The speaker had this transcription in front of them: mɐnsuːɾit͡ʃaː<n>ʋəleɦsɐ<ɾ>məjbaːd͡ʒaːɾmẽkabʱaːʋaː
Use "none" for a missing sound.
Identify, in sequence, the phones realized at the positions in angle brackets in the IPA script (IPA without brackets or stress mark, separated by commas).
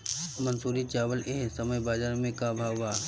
none, none